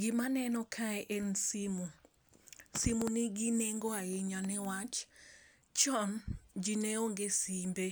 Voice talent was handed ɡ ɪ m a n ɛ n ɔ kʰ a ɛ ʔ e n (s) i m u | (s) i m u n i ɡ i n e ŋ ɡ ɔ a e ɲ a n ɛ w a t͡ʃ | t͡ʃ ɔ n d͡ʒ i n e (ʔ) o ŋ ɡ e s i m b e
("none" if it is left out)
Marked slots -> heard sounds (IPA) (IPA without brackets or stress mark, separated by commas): s, s, none